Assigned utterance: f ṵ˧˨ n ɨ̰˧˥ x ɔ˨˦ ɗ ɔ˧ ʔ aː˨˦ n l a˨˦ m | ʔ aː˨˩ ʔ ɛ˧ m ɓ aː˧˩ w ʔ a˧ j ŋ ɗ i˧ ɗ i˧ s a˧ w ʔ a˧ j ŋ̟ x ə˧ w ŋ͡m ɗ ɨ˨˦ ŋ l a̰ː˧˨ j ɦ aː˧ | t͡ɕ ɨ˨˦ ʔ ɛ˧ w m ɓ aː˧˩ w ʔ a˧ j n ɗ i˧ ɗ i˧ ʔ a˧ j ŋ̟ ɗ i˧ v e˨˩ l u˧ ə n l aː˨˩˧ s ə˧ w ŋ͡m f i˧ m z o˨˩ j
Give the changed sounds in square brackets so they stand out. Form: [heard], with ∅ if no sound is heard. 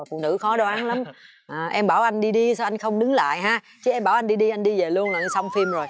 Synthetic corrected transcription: f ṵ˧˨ n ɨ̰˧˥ x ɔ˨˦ ɗ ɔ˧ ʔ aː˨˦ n l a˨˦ m | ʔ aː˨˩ ʔ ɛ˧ m ɓ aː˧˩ w ʔ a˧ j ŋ ɗ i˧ ɗ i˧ s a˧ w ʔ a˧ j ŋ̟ x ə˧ w ŋ͡m ɗ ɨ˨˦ ŋ l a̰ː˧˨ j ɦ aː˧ | t͡ɕ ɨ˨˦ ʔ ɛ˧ [∅] m ɓ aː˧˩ w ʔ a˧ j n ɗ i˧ ɗ i˧ ʔ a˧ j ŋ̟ ɗ i˧ v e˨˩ l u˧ ə n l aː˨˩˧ s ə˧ w ŋ͡m f i˧ m z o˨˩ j